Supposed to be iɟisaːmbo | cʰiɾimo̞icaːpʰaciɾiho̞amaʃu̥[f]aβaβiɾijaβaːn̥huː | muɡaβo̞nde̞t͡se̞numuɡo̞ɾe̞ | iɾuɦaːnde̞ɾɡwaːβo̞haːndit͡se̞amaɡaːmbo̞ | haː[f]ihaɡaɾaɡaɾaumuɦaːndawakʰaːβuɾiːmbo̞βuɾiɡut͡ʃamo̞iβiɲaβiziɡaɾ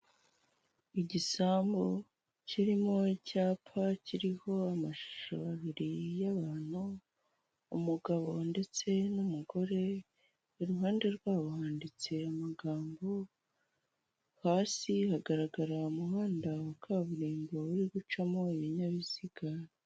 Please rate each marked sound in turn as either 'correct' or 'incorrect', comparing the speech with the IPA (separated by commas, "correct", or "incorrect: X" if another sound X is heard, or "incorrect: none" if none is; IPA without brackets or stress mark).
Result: incorrect: ʃ, incorrect: s